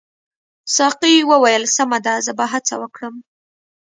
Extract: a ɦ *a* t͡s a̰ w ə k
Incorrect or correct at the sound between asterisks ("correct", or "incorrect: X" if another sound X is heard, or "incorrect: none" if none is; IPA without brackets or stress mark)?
correct